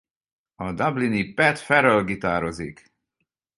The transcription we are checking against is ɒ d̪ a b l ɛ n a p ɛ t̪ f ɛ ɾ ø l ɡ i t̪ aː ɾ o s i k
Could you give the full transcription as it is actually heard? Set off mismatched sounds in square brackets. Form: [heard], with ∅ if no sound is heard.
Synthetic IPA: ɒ d̪ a b l [i] n [i] p ɛ t̪ f ɛ ɾ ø l ɡ i t̪ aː ɾ o [z] i k